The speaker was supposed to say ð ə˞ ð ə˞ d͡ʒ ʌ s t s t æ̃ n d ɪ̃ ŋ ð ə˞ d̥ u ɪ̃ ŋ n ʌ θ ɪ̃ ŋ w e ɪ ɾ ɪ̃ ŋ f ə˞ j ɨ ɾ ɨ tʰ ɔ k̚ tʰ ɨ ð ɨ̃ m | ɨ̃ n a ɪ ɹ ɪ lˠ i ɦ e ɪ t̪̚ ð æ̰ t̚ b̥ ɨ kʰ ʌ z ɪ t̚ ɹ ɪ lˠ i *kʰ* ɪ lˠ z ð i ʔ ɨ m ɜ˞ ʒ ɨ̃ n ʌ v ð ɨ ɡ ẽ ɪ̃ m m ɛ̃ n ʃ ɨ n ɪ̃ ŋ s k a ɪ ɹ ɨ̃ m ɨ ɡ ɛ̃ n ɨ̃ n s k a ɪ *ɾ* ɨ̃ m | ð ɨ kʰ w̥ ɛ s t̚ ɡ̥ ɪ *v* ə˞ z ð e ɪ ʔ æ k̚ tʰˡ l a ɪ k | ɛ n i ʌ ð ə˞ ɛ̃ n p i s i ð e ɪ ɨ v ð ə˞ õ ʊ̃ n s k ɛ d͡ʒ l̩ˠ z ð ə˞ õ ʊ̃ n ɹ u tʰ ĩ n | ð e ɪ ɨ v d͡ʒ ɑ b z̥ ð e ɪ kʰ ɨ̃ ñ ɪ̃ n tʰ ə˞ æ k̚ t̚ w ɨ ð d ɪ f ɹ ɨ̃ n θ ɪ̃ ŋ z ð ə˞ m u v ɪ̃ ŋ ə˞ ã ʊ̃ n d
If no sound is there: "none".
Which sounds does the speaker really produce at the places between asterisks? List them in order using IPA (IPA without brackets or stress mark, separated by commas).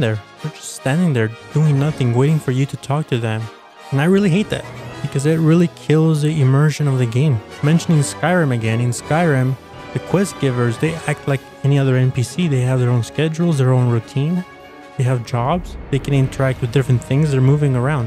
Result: kʰ, ɹ, v